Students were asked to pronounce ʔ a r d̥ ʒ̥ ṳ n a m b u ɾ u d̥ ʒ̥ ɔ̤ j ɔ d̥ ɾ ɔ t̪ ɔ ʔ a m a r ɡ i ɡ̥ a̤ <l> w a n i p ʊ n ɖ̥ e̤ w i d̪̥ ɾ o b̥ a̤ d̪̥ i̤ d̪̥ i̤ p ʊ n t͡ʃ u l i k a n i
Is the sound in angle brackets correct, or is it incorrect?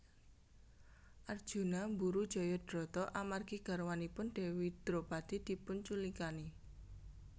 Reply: incorrect: ɾ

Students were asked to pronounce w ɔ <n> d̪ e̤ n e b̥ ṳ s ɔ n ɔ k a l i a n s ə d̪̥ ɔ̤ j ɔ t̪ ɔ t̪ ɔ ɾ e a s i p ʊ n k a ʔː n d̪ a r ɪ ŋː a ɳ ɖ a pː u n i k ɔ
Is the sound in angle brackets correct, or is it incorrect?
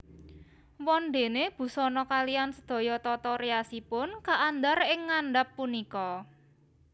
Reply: correct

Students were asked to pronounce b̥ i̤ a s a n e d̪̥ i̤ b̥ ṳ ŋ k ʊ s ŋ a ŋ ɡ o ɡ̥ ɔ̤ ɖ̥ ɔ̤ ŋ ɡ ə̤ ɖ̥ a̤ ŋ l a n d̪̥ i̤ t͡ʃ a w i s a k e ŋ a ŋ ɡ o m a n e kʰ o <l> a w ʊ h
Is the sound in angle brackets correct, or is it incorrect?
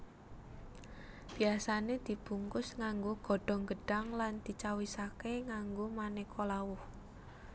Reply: correct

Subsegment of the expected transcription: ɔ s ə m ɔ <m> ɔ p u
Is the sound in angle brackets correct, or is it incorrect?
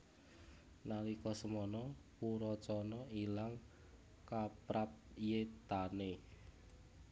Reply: incorrect: n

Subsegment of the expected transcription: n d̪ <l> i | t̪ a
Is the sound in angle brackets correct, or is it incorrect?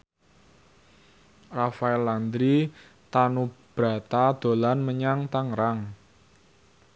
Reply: incorrect: ɾ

